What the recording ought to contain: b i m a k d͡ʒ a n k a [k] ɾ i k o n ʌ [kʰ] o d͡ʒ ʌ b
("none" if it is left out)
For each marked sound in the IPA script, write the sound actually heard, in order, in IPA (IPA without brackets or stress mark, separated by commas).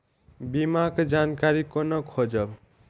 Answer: none, kʰ